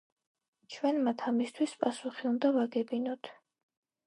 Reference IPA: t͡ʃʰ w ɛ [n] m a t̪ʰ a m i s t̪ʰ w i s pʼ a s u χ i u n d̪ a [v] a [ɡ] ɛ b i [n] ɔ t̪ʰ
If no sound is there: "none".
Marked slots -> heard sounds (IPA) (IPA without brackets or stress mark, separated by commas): n, v, ɡ, n